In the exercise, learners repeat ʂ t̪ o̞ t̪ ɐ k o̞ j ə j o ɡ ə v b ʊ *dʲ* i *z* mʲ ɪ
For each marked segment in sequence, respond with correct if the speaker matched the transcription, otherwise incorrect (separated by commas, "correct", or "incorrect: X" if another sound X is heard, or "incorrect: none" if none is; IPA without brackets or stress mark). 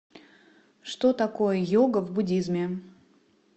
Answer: correct, correct